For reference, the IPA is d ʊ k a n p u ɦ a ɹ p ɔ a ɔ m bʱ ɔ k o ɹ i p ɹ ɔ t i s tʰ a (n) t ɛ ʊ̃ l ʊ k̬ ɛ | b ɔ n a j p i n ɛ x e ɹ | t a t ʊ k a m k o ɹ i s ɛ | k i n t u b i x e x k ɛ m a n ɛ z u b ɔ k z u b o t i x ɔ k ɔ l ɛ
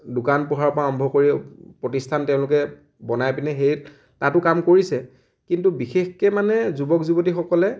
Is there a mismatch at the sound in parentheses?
no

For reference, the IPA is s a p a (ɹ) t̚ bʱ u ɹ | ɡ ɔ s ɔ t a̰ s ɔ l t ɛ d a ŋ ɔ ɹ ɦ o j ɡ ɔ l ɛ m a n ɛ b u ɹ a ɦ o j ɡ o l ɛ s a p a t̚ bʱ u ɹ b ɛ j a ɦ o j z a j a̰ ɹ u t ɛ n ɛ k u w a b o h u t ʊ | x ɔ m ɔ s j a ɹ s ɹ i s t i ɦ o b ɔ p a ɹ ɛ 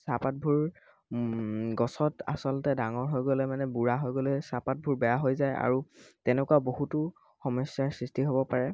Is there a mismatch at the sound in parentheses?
yes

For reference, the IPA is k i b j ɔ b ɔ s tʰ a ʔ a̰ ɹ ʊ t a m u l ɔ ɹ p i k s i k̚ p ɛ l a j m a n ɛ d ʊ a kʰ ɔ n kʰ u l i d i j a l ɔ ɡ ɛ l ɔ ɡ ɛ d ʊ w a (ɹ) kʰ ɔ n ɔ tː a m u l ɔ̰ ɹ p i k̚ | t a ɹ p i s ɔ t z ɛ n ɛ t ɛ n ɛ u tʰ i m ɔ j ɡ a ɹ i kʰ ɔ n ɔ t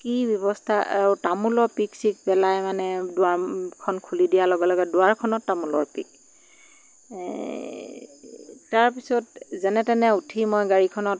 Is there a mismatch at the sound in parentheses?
no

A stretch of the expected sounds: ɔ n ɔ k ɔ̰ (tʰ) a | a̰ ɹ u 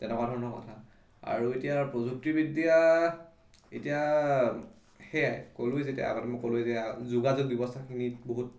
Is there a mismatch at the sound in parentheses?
no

